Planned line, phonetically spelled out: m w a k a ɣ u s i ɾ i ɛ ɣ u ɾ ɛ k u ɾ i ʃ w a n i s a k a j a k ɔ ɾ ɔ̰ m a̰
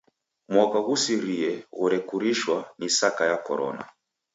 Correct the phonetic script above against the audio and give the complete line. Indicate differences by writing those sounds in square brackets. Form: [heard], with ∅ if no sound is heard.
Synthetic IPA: m w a k a ɣ u s i ɾ i ɛ ɣ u ɾ ɛ k u ɾ i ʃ w a n i s a k a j a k ɔ ɾ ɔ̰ [n] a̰